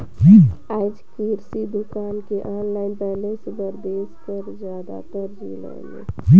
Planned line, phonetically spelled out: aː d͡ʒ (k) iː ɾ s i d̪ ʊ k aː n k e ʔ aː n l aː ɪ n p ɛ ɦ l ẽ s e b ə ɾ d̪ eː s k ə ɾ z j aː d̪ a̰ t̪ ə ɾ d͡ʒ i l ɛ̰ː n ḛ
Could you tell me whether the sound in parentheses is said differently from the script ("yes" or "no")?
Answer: no